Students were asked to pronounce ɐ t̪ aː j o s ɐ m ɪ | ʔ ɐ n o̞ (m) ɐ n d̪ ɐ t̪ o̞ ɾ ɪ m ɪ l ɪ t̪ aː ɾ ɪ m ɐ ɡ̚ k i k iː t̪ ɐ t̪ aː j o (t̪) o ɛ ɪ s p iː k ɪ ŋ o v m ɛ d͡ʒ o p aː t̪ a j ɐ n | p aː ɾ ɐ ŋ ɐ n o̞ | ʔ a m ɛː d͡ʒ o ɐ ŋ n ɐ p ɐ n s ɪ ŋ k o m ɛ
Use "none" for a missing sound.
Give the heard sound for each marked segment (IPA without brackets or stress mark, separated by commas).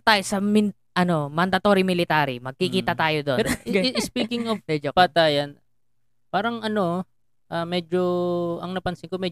m, d̪